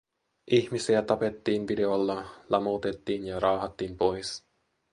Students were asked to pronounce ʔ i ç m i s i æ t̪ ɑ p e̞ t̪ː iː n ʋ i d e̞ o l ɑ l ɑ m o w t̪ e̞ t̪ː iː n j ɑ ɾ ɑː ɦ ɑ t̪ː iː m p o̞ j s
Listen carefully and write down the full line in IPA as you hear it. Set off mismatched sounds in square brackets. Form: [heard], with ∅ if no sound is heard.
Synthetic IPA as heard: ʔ i ç m i s i æ t̪ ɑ p e̞ t̪ː iː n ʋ i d e̞ o [lː] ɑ l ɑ m o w t̪ e̞ t̪ː iː n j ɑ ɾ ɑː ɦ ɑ t̪ː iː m p o̞ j s

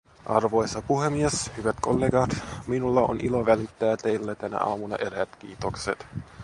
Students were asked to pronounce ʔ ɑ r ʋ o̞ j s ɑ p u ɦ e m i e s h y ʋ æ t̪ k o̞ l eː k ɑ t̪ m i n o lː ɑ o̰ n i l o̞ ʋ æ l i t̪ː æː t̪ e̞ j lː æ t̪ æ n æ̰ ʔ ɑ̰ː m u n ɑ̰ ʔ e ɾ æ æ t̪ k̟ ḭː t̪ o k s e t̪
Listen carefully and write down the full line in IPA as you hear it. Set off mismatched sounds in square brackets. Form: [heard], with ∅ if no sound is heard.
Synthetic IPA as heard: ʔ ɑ r ʋ o̞ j s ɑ p u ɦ e m i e s h y ʋ æ t̪ k o̞ [lː] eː [ɡ] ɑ t̪ m i n [u] lː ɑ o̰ n i l o̞ ʋ æ l i t̪ː æː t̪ e̞ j lː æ t̪ æ n æ̰ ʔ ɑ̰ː m u n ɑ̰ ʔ e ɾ æ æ t̪ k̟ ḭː t̪ o k s e t̪

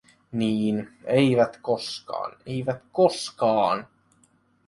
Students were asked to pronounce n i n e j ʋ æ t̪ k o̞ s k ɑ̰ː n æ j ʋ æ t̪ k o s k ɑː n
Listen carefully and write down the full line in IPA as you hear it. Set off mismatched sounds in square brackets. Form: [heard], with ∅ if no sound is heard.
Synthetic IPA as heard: n [iː] n e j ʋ æ t̪ k o̞ s k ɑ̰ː n [e] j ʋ æ t̪ k o s k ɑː n

